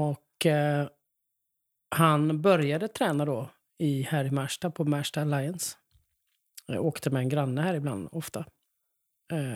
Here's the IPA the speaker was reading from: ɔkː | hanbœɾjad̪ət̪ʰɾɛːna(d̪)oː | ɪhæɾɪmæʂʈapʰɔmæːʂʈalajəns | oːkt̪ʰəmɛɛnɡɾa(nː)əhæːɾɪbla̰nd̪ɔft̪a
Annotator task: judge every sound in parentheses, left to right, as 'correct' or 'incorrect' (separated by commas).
correct, correct